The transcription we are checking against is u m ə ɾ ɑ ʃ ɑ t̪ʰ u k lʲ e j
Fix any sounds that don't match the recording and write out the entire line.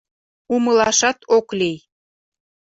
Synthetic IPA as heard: u m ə l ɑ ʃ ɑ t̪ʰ o k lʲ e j

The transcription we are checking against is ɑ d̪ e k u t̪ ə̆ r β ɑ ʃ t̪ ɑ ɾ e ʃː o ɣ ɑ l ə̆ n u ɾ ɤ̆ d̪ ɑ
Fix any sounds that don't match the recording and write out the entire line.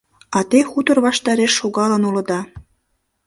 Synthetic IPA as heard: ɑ t̪ e x u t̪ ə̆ r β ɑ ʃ t̪ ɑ ɾ e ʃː o ɣ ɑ l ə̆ n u l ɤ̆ d̪ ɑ

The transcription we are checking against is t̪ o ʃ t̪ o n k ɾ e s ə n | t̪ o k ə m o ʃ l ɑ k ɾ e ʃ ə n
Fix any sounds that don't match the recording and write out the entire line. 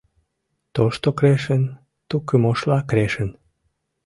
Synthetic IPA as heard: t̪ o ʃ t̪ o k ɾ e ʃ ə n | t̪ u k ə m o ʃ l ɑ k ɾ e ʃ ə n

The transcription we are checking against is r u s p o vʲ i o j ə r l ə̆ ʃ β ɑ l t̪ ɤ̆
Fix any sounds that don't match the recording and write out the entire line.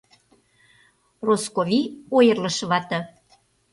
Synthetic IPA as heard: r o s k o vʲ i o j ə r l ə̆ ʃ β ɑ t̪ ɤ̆

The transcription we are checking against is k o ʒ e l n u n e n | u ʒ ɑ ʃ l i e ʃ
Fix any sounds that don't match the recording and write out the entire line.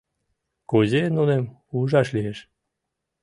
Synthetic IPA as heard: k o z e n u n e m | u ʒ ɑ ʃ l i e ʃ

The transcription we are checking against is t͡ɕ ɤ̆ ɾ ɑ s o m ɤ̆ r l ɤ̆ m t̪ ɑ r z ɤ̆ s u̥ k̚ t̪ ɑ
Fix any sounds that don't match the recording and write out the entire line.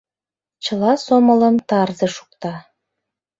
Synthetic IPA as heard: t͡ɕ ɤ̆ l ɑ s o m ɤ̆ l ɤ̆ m t̪ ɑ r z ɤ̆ ʃ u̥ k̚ t̪ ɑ

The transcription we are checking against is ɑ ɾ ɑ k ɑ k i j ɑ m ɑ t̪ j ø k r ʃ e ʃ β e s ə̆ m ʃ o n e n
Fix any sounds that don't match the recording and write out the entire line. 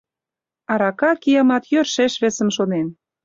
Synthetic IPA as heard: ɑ ɾ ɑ k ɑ k i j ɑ m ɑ t̪ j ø r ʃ e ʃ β e s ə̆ m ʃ o n e n

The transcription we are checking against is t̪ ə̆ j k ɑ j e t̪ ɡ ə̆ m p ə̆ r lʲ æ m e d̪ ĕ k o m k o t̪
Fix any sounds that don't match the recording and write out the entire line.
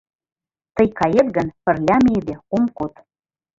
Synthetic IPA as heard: t̪ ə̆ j k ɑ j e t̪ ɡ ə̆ n p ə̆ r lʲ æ m e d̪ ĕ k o m k o t̪

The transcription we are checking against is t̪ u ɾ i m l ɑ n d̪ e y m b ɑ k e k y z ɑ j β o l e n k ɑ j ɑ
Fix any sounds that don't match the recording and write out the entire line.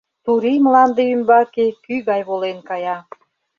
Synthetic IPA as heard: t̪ u ɾ i m l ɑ n d̪ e y m b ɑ k e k y ɣ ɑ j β o l e n k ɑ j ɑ

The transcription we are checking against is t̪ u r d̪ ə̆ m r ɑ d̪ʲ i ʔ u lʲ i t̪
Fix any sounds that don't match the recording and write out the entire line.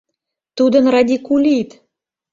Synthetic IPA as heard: t̪ u d̪ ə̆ n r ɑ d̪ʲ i k u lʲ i t̪

